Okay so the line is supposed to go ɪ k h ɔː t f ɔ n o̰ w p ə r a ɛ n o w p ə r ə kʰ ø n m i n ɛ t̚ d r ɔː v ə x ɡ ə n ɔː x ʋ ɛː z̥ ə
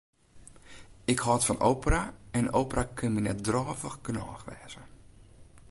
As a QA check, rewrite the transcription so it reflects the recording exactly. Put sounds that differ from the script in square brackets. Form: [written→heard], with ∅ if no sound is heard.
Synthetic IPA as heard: ɪ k h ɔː t f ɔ n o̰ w p ə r a ɛ n o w p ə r [ə→a] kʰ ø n m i n ɛ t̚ d r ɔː v ə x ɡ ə n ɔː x ʋ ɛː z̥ ə

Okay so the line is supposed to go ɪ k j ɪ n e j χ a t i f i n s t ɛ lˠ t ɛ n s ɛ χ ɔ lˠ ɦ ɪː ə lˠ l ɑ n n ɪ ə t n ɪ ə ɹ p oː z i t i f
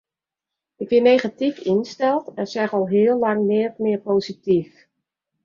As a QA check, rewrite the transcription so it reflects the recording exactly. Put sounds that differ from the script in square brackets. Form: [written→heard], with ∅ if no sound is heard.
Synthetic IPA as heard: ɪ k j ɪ n e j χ a t i f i n s t ɛ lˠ t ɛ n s ɛ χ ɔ lˠ ɦ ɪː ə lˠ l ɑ [n→ŋ] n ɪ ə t [n→m] ɪ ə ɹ p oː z i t i f

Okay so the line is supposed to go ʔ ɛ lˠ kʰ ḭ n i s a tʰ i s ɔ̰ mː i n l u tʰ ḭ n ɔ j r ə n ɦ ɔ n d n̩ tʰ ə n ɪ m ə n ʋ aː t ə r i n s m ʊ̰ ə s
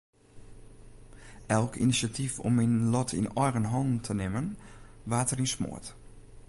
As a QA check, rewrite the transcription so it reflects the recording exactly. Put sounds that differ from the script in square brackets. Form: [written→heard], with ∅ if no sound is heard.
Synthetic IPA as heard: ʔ ɛ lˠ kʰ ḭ n i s a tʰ i [s→f] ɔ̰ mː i n l [u→ɔ] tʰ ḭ n ɔ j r ə n ɦ ɔ n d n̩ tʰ ə n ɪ m ə n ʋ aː t ə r i n s m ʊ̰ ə [s→t]

